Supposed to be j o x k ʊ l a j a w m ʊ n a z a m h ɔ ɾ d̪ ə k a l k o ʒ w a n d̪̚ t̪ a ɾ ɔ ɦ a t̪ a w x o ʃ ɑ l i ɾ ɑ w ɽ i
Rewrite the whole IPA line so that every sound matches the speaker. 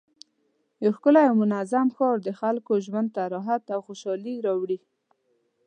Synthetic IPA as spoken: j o x k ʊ l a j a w m ʊ n a z a m x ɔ ɾ d̪ ə x a l k o ʒ w a n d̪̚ t̪ a ɾ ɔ ɦ a t̪ a w x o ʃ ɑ l i ɾ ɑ w ɽ i